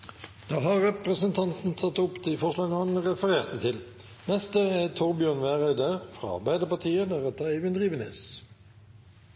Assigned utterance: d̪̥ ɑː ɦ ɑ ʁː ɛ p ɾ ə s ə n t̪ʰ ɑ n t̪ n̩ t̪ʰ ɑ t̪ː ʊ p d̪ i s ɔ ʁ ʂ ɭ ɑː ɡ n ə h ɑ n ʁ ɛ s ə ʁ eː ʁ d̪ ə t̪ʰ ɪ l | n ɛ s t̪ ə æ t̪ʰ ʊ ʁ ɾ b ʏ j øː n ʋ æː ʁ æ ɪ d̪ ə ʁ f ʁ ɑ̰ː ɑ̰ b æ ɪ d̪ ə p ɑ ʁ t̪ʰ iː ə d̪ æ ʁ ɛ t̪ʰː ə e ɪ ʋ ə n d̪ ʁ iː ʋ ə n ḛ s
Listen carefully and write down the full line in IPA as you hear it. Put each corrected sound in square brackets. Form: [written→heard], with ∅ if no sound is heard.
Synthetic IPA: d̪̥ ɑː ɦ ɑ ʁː ɛ p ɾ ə s ə n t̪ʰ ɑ n t̪ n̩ t̪ʰ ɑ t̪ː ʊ p d̪ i [s→f] ɔ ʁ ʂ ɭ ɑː ɡ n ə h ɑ n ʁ ɛ [s→f] ə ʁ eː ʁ [d̪→t̪] ə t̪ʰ ɪ l | n ɛ s t̪ ə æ t̪ʰ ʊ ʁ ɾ b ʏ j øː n ʋ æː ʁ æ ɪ d̪ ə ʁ f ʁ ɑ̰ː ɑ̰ b æ ɪ d̪ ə p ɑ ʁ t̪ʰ iː ə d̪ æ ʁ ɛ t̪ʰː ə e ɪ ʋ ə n d̪ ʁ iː ʋ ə n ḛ s